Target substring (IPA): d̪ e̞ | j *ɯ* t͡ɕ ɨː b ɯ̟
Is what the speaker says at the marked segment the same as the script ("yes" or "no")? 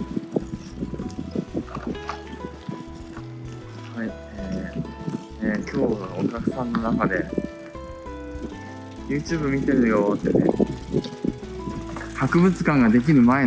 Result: no